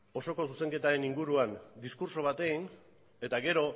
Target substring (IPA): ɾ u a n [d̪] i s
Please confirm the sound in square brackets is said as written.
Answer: yes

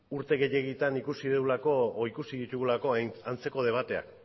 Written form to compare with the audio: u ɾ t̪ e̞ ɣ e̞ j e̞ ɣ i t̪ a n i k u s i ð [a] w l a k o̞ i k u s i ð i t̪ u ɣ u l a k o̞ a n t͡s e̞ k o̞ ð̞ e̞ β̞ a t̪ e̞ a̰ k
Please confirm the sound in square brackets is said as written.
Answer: no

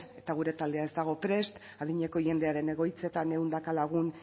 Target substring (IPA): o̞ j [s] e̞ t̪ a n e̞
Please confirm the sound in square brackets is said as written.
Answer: no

